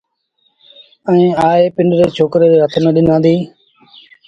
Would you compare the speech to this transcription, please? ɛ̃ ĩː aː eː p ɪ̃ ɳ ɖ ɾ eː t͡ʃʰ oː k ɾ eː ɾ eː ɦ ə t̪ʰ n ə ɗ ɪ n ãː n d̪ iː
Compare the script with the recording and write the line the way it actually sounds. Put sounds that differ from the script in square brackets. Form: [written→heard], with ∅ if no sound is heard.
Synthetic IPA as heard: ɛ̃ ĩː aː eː p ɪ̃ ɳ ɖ ɾ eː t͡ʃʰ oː k ɾ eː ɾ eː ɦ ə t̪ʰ n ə ɗ ɪ n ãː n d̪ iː